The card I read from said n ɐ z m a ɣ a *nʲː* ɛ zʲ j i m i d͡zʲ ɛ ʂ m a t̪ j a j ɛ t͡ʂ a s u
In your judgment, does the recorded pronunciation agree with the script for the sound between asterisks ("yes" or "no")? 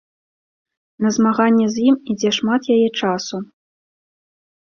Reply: yes